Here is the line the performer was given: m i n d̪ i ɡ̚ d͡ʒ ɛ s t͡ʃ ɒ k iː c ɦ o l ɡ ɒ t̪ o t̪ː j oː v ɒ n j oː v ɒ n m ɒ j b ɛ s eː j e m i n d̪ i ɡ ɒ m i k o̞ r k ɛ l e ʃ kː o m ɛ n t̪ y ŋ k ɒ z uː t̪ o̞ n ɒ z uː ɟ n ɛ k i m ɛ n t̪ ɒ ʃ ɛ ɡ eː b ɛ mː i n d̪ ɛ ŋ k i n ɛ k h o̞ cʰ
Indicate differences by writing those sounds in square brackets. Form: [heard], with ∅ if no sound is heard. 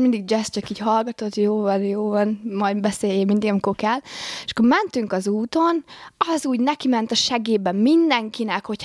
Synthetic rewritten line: m i n d̪ i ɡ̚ d͡ʒ ɛ s t͡ʃ ɒ k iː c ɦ [ɒ] l ɡ ɒ t̪ o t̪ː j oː v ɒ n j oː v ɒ n m ɒ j b ɛ s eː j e m i n d̪ i ɡ ɒ m i k o̞ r k ɛ l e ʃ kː o m ɛ n t̪ y ŋ k ɒ z uː t̪ o̞ n ɒ z uː ɟ n ɛ k i m ɛ n t̪ ɒ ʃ ɛ ɡ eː b ɛ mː i n d̪ ɛ ŋ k i n ɛ k h o̞ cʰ